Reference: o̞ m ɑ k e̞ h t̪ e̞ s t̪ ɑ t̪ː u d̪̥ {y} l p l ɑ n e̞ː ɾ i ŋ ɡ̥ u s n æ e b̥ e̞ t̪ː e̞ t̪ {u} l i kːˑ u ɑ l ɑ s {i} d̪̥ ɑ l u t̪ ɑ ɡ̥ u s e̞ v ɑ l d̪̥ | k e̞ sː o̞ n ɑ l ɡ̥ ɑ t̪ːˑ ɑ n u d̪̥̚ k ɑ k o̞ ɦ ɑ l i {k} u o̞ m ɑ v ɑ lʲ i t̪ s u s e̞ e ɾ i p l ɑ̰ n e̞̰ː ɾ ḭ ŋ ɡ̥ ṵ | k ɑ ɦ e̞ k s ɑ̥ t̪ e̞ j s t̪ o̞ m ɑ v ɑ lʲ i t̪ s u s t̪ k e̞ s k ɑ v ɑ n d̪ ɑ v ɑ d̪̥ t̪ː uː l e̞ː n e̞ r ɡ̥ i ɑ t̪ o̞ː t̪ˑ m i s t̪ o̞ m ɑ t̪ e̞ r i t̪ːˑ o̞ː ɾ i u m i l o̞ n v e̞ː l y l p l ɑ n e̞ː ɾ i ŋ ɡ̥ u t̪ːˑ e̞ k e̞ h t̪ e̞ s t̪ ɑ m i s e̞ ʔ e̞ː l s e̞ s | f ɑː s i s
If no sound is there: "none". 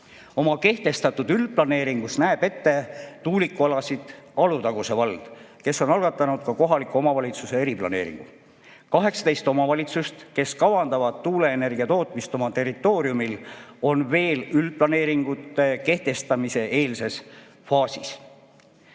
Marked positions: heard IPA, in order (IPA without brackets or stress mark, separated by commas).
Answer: y, uː, i, k